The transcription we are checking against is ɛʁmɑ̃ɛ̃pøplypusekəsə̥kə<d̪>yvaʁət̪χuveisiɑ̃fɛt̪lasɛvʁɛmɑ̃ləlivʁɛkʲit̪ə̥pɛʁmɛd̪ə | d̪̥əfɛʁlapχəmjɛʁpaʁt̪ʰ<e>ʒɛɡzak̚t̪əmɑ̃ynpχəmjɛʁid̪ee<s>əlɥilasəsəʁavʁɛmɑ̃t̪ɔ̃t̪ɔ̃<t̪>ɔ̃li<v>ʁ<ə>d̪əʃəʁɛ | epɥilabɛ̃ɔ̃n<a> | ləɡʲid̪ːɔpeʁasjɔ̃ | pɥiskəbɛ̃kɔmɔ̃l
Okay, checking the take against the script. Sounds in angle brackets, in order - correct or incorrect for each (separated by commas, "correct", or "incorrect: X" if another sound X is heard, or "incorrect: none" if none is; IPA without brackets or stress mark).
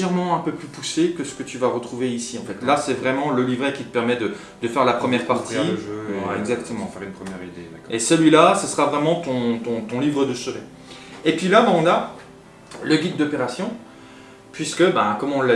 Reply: incorrect: t̪, incorrect: i, correct, correct, correct, correct, correct